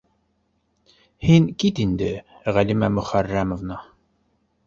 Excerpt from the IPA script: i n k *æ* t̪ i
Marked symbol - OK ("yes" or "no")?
no